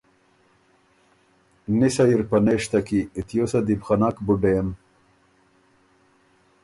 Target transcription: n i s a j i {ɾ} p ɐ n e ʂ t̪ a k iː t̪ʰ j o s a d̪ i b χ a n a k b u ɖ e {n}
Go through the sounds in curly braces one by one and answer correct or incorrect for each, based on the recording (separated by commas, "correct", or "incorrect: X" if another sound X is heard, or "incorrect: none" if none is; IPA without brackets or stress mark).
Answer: correct, incorrect: m